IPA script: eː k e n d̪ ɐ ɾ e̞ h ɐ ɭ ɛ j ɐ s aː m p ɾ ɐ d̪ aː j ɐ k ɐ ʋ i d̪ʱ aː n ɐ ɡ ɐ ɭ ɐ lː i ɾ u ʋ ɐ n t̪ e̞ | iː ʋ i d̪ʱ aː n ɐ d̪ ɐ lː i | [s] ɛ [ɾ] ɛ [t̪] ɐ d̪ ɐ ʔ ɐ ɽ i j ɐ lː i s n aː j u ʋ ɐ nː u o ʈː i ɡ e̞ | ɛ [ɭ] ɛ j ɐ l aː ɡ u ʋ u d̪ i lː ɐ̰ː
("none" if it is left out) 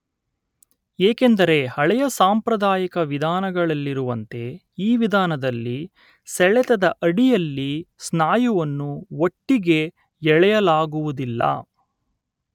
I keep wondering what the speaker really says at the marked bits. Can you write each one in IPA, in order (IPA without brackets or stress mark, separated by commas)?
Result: s, ɭ, t̪, ɭ